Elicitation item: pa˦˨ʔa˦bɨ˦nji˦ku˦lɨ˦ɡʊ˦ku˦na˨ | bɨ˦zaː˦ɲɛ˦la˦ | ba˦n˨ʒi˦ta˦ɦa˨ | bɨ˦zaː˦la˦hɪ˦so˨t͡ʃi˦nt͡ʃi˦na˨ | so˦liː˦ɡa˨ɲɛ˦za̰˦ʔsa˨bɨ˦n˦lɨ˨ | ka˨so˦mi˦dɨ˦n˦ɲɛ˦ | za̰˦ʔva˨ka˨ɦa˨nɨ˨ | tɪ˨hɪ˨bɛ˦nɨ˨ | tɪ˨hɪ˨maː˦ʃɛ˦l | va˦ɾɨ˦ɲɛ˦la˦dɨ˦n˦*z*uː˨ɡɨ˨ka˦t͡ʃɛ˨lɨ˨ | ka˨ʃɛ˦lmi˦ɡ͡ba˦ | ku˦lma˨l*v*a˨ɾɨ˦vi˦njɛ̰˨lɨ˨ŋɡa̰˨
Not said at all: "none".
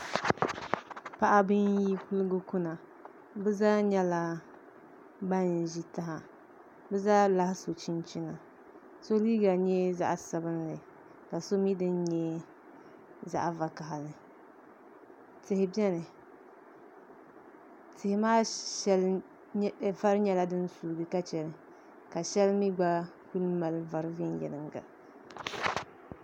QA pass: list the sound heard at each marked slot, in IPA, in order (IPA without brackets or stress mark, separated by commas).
s, v